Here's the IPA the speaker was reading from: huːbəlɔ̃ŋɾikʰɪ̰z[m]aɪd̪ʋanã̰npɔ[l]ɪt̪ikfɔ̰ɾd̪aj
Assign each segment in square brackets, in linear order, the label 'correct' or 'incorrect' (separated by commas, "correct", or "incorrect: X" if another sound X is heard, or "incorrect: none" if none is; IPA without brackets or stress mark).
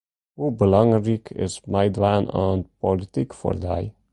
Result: correct, correct